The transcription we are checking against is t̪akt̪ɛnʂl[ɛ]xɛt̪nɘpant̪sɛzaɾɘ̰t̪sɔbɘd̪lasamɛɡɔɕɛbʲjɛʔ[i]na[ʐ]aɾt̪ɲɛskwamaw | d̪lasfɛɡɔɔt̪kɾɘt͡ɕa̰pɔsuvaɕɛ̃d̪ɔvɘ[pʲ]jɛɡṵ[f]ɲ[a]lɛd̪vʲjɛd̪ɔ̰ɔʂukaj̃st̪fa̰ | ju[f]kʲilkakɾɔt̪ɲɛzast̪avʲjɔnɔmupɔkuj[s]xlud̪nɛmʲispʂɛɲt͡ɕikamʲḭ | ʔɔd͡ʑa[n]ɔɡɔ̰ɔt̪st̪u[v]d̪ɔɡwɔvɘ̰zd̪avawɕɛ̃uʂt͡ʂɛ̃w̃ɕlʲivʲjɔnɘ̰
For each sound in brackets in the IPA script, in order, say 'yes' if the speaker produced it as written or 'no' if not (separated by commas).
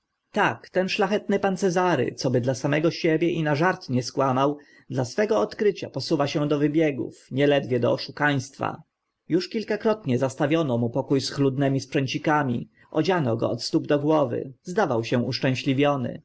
no, yes, yes, no, yes, no, no, yes, yes, no